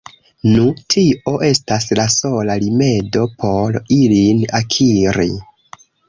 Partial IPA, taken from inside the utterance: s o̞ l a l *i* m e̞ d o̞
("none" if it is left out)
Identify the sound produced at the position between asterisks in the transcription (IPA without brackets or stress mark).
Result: i